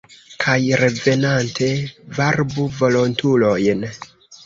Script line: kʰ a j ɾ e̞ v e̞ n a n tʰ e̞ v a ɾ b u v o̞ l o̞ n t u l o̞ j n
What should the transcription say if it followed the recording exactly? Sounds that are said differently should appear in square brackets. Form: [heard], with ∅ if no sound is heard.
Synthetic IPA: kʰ a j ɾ e̞ v e̞ n a n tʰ e̞ v a ɾ b u v o̞ l o̞ n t u l o̞ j n